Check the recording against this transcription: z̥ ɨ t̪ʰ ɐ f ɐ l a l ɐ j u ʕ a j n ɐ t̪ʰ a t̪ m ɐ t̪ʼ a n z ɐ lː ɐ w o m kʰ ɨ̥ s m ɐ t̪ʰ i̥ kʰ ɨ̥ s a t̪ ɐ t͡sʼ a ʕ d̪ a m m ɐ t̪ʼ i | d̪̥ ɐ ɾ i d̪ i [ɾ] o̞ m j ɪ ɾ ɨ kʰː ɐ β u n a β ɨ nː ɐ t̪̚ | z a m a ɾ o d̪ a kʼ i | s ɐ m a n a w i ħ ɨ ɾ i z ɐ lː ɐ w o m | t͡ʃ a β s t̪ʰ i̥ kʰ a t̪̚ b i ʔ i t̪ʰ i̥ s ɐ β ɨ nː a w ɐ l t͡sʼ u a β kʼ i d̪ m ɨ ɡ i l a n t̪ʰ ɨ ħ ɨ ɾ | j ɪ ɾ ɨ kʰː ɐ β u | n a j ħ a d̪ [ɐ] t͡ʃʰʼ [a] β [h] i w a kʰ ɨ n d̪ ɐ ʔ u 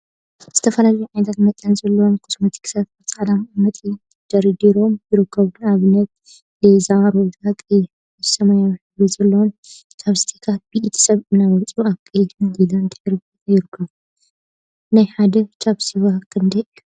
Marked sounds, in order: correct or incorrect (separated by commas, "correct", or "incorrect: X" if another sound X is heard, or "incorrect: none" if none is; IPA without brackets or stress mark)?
correct, correct, correct, incorrect: s